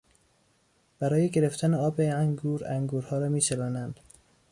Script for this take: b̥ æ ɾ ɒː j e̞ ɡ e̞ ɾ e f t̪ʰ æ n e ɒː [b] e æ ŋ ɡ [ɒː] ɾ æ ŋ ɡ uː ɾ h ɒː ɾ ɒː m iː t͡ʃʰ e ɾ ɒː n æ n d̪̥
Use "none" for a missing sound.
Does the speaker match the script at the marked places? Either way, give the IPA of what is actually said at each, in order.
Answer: b, uː

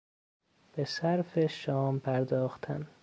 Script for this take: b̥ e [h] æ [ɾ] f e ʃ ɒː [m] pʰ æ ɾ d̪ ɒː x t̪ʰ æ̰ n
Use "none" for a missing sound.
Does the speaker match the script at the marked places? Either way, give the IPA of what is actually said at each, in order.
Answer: s, ɾ, m

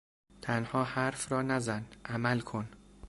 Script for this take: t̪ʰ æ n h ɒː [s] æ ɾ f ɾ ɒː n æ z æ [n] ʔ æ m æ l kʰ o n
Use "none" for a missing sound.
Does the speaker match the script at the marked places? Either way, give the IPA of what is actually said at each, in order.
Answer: h, n

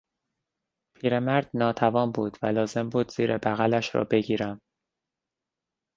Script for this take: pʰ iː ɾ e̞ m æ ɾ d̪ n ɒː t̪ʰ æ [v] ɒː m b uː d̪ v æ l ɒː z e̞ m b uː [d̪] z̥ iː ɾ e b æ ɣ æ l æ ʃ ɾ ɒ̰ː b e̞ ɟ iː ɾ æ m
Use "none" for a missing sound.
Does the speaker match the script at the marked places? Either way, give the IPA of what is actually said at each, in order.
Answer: v, d̪

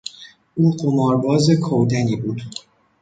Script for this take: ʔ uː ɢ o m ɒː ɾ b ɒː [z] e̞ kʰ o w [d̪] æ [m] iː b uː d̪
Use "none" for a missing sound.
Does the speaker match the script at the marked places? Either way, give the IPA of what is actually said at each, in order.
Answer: z, d̪, n

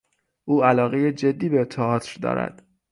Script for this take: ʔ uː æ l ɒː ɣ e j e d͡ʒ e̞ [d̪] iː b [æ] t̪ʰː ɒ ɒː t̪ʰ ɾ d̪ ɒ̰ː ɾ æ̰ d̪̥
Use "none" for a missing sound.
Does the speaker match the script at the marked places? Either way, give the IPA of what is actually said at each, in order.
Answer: d̪ː, e

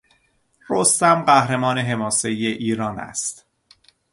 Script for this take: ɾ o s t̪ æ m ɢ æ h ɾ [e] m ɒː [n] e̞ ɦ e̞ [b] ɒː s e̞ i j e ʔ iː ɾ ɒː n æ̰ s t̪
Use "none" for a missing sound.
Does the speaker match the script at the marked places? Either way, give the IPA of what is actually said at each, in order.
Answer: e, n, m

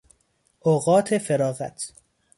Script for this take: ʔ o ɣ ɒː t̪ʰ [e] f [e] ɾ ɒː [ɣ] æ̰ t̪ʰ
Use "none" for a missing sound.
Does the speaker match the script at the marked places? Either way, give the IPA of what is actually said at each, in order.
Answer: e, e, ɣ

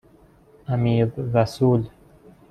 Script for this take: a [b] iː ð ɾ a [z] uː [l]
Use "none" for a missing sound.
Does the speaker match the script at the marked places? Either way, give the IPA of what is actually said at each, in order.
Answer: m, s, l

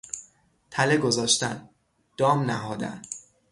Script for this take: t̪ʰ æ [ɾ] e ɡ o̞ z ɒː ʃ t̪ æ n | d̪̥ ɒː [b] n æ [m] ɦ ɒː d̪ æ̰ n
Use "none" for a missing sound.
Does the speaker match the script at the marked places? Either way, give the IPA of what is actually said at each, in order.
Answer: l, m, none

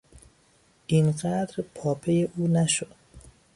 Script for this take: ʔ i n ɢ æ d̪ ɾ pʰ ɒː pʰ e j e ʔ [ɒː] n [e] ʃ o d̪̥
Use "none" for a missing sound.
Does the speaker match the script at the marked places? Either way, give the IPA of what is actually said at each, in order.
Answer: uː, æ

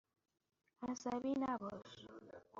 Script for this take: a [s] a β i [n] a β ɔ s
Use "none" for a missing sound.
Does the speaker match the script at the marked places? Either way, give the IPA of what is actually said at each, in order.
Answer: s, n

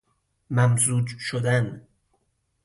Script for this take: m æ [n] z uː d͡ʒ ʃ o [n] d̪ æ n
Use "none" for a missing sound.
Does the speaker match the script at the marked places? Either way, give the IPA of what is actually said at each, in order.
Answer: m, none

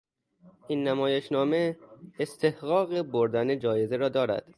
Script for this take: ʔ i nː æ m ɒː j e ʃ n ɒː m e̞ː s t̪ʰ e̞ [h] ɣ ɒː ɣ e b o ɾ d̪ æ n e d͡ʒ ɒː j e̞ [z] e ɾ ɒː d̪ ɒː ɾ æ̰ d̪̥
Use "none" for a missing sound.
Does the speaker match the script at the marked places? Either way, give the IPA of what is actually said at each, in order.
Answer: h, z

